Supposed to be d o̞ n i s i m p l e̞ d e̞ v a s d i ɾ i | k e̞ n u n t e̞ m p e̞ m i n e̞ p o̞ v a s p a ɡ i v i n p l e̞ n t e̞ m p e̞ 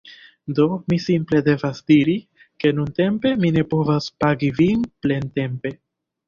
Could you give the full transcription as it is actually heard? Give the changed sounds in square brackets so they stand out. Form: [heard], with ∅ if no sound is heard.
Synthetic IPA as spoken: d o̞ [m] i s i m p l e̞ d e̞ v a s d i ɾ i | k e̞ n u n t e̞ m p e̞ m i n e̞ p o̞ v a s p a ɡ i v i n p l e̞ n t e̞ m p e̞